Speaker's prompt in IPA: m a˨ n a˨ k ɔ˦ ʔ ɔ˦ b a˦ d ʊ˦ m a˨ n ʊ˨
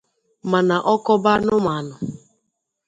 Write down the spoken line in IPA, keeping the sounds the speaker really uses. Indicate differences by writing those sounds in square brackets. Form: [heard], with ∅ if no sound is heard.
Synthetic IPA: m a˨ n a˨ [ʔ] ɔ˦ [k] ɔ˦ b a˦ [n] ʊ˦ m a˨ n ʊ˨